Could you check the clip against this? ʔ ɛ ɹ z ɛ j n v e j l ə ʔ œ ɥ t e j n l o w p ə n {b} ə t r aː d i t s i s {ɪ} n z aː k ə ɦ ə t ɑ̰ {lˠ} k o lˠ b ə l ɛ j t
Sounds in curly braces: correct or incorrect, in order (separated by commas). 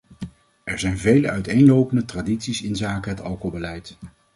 incorrect, correct, correct